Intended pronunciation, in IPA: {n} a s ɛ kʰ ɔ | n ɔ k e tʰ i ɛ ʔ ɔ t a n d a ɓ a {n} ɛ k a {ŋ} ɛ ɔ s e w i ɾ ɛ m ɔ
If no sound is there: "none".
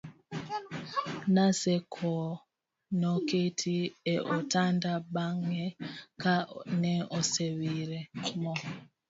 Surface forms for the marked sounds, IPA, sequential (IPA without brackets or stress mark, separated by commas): n, ŋ, n